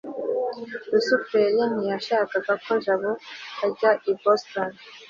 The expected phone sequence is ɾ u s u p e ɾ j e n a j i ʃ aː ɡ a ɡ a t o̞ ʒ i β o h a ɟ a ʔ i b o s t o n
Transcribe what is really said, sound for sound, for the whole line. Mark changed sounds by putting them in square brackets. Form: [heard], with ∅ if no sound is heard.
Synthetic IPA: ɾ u s u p e ɾ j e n [i] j [a] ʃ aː [k] a ɡ a [k] o̞ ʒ [a] β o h a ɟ a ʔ i b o s t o n